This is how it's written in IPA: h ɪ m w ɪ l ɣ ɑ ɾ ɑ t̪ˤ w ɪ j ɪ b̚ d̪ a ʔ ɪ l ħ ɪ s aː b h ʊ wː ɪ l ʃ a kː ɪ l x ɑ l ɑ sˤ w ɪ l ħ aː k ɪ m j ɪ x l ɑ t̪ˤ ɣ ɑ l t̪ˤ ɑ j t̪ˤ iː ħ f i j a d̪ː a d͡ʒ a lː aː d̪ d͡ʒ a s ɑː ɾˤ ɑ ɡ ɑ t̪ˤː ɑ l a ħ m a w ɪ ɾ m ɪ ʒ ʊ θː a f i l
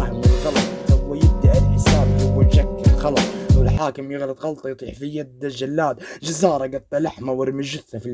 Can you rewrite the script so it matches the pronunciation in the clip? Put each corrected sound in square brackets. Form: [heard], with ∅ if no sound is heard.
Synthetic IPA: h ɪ m w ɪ l ɣ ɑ [l] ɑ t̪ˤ w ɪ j ɪ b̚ d̪ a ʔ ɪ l ħ ɪ s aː b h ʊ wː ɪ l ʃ a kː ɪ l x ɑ l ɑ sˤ w ɪ l ħ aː k ɪ m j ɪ [ɣ] l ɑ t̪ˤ ɣ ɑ l t̪ˤ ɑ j t̪ˤ iː ħ f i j a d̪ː a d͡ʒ a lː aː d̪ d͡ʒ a [z] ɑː ɾˤ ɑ ɡ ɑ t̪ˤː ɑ l a ħ m a w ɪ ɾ m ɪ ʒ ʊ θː a f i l